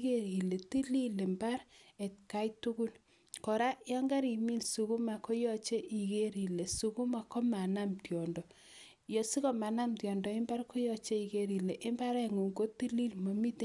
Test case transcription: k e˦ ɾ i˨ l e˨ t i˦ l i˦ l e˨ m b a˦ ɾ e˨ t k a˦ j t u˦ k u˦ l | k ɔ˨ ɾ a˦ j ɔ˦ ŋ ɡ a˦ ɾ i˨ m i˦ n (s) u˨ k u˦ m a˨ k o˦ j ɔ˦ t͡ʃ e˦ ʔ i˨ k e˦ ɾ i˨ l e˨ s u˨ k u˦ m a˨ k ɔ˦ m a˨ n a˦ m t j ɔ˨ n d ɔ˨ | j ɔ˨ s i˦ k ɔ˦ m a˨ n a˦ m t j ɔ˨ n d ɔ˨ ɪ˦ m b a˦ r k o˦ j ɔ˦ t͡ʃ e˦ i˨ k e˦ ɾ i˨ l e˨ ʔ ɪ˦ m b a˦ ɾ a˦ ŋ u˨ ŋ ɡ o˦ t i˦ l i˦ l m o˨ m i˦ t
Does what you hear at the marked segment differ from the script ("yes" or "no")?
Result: no